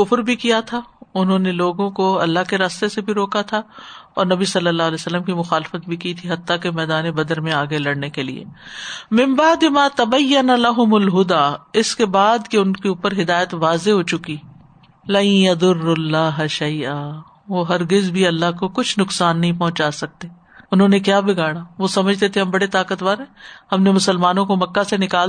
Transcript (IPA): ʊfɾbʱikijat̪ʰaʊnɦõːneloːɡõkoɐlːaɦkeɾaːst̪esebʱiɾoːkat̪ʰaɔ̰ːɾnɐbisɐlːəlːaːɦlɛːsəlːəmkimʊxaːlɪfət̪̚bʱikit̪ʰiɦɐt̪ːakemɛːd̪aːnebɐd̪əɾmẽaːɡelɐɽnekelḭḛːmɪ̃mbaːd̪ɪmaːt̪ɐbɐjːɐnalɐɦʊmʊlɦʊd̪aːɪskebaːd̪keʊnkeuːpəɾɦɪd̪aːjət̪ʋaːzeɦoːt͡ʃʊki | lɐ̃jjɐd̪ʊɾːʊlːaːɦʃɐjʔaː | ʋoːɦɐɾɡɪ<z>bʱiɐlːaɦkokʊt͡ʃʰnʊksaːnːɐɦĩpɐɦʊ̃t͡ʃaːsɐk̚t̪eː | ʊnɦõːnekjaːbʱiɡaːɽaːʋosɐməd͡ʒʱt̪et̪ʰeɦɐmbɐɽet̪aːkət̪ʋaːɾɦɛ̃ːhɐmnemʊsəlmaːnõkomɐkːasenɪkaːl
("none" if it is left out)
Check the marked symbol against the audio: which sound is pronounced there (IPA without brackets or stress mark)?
z